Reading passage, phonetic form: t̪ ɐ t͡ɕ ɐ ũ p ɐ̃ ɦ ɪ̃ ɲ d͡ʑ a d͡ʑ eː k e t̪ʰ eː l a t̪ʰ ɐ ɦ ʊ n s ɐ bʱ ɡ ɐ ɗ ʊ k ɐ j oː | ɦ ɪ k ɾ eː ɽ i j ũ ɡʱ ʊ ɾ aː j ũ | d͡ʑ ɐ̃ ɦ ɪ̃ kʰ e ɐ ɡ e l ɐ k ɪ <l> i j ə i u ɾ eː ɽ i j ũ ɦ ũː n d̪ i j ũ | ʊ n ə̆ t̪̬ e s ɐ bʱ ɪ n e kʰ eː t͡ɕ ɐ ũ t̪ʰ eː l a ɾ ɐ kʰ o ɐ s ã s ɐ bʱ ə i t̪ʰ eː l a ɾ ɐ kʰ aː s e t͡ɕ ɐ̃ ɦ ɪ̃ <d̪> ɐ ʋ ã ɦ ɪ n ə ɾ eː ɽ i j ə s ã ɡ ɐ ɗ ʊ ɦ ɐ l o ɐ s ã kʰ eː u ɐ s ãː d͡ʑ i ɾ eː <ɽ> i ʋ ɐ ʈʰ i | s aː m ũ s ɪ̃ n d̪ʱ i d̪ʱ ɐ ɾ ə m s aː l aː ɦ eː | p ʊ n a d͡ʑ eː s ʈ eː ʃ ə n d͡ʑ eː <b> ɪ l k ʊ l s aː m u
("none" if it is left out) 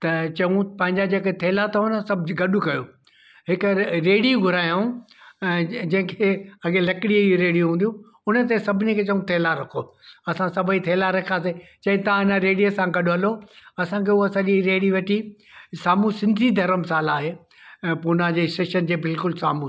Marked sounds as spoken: ɽ, t̪, ɽ, b

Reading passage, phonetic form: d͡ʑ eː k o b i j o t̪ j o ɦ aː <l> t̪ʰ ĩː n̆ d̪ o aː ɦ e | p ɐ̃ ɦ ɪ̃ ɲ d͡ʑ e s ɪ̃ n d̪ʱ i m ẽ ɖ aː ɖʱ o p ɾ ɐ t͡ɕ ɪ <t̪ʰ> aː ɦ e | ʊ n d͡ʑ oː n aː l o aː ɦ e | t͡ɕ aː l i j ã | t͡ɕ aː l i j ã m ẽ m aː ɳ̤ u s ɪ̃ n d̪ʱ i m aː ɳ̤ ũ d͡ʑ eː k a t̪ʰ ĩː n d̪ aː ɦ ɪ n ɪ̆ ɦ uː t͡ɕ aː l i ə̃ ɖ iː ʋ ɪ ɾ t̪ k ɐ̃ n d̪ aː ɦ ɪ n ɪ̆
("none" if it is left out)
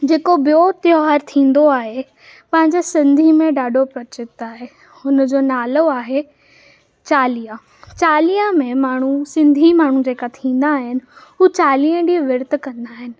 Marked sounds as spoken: ɾ, t̪

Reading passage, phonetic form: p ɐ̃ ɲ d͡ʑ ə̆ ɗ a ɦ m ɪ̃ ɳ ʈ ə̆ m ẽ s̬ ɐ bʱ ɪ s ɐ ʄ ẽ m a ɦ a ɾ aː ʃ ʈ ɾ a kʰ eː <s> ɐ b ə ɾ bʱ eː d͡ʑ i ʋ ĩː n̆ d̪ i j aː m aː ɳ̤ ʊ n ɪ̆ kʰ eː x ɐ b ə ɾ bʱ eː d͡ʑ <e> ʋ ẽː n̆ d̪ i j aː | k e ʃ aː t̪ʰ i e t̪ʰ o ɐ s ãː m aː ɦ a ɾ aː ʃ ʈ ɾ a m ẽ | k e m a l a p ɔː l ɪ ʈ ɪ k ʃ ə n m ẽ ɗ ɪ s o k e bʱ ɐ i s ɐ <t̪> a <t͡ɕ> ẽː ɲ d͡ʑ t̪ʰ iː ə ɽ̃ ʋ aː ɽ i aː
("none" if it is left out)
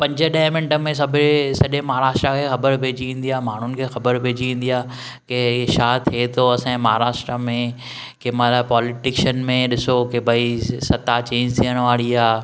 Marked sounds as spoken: x, i, t̪, t͡ɕ

